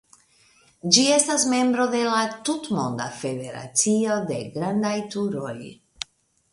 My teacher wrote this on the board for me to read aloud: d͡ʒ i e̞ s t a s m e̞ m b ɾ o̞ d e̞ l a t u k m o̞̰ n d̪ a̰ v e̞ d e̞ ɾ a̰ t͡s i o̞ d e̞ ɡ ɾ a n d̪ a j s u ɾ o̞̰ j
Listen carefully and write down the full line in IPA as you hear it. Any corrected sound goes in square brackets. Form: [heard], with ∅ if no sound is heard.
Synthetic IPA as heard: d͡ʒ i e̞ s t a s m e̞ m b ɾ o̞ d e̞ l a t u [t] m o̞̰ n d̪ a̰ [f] e̞ d e̞ ɾ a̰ t͡s i o̞ d e̞ ɡ ɾ a n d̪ a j [t] u ɾ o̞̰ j

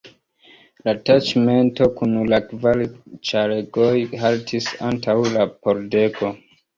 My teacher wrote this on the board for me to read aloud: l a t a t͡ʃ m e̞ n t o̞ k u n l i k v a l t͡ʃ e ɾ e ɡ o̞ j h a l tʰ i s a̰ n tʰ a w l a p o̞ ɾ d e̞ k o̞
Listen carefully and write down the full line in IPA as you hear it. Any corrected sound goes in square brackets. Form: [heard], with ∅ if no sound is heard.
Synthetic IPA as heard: l a t a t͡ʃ m e̞ n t o̞ k u n l [a] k v a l t͡ʃ [a] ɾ e ɡ o̞ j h a l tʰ i s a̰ n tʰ a w l a p o̞ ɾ d e̞ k o̞

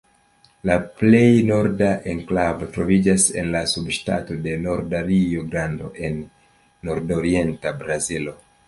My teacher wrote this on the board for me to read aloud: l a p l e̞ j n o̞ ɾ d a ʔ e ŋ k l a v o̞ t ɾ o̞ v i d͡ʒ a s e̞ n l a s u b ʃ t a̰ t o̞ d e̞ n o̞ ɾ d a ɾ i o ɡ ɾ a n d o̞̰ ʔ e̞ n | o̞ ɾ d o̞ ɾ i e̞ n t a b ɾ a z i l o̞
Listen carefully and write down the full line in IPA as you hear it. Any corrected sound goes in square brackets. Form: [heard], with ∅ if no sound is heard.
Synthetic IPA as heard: l a p l e̞ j n o̞ ɾ d a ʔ e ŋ k l a v o̞ t ɾ o̞ v i d͡ʒ a s e̞ n l a s u b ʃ t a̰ t o̞ d e̞ n o̞ ɾ d a ɾ i o ɡ ɾ a n d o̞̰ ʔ e̞ [nː] | o̞ ɾ d o̞ ɾ i e̞ n t a b ɾ a z i l o̞

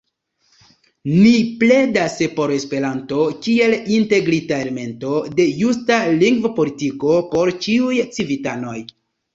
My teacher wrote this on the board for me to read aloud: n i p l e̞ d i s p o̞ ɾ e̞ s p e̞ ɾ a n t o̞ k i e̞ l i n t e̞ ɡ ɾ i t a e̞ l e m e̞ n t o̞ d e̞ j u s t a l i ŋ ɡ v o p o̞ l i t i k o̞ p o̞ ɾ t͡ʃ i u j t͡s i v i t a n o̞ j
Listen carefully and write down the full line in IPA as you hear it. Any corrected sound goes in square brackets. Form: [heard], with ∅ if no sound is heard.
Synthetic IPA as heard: n i p l e̞ d [a] s p o̞ ɾ e̞ s p e̞ ɾ a n t o̞ k i e̞ l i n t e̞ ɡ ɾ i t a e̞ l e m e̞ n t o̞ d e̞ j u s t a l i ŋ ɡ v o p o̞ l i t i k o̞ p o̞ ɾ t͡ʃ i u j t͡s i v i t a n o̞ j

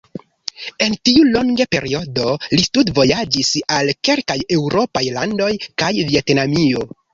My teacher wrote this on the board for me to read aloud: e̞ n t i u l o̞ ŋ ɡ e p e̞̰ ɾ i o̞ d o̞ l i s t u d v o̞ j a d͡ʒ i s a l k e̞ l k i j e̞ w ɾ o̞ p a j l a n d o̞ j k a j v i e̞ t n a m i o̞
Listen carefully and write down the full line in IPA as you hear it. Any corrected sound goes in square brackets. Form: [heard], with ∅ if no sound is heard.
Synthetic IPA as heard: e̞ n t i u l o̞ ŋ ɡ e p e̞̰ ɾ i o̞ d o̞ l i s t u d v o̞ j a d͡ʒ i s a l k e̞ l k [a] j e̞ w ɾ o̞ p a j l a n d o̞ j k a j v i e̞ t n a m i o̞

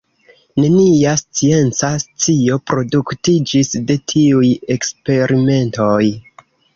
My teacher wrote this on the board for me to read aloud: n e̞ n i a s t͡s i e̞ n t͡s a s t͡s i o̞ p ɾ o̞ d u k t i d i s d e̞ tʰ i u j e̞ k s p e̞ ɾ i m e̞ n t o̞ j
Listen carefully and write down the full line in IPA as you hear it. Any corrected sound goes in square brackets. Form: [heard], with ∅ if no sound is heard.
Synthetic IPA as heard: n e̞ n i a s t͡s i e̞ n t͡s a s t͡s i o̞ p ɾ o̞ d u k t i [d͡ʒ] i s d e̞ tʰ i u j e̞ k s p e̞ ɾ i m e̞ n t o̞ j

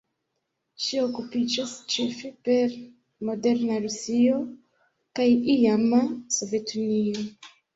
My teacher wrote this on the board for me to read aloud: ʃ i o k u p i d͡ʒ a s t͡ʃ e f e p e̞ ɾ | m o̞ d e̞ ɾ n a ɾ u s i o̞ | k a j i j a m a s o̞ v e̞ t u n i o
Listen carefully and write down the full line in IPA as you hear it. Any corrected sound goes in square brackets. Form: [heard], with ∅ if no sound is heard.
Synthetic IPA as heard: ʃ i o k u p i d͡ʒ a s t͡ʃ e f e p e̞ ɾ | m o̞ d e̞ ɾ n a ɾ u s i o̞ | k a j i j a m a s o̞ v e̞ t u n i o

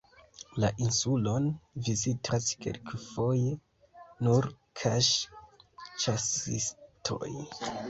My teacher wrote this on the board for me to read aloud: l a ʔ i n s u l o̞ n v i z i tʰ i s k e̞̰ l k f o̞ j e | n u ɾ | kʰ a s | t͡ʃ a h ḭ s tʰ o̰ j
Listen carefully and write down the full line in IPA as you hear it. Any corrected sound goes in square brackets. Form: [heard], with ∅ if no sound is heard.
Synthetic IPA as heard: l a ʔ i n s u l o̞ n v i z i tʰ [a] s k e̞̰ l k f o̞ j e | n u ɾ | kʰ a [ʃ] | t͡ʃ a [s] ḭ s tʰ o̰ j

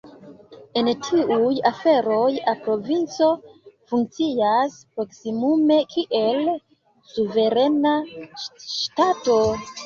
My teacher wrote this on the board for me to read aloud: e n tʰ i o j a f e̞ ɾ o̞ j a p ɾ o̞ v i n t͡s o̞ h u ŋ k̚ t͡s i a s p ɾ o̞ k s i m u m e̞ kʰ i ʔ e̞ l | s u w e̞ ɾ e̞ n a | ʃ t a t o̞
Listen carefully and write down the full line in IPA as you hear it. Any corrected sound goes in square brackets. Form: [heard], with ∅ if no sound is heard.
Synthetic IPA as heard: e n tʰ i [u] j a f e̞ ɾ o̞ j a p ɾ o̞ v i n t͡s o̞ [f] u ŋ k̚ t͡s i a s p ɾ o̞ k s i m u m e̞ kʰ i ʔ e̞ l | s u [v] e̞ ɾ e̞ n a | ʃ t a t o̞

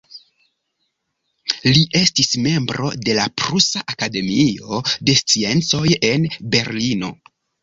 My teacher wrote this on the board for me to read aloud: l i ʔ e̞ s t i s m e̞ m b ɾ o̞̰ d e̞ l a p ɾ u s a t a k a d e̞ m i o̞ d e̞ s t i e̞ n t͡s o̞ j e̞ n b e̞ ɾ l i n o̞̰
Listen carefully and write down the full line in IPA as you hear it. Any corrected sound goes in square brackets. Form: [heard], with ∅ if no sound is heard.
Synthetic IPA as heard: l i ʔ e̞ s t i s m e̞ m b ɾ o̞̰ d e̞ l a p ɾ u s a [ʔ] a k a d e̞ m i o̞ d e̞ s [t͡s] i e̞ n t͡s o̞ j e̞ n b e̞ ɾ l i n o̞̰

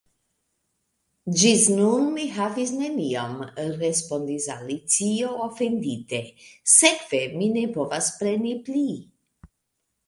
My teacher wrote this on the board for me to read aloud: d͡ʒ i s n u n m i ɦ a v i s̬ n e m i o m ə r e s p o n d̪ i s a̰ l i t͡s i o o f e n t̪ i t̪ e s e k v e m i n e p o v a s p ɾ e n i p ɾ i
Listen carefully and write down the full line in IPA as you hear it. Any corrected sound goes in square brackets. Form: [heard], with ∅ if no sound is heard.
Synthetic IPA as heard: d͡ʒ i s n u n m i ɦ a v i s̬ n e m i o m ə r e s p o n d̪ i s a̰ l i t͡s i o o f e n [d̪] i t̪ e s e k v e m i n e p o v a s p ɾ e n i p [l] i

